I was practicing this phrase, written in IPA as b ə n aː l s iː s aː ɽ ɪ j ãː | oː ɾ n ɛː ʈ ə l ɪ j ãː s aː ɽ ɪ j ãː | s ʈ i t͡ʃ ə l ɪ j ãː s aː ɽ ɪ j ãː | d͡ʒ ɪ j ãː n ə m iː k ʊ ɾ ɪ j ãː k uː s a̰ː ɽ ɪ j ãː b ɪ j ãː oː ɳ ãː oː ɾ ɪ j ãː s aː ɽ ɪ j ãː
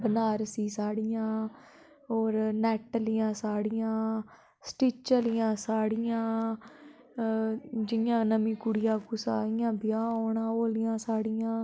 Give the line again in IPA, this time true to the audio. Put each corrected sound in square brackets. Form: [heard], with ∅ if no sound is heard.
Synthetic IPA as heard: b ə n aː [ɾ] s iː s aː ɽ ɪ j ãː | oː ɾ n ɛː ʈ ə l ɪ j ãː s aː ɽ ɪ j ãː | s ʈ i t͡ʃ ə l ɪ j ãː s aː ɽ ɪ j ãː | d͡ʒ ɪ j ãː n ə m iː k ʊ [ɽ] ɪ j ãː k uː s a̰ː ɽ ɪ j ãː b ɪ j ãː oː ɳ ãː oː [l] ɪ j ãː s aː ɽ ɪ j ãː